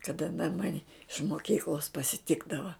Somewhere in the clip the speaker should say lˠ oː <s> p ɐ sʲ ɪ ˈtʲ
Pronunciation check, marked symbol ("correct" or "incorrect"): correct